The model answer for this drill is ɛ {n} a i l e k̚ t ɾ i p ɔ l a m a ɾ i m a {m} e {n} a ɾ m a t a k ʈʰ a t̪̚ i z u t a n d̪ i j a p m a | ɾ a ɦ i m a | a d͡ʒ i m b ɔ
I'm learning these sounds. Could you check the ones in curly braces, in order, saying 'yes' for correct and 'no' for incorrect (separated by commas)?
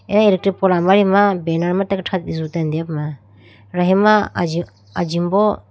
yes, no, yes